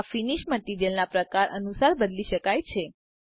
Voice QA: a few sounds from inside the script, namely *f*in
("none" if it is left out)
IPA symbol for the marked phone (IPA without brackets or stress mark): f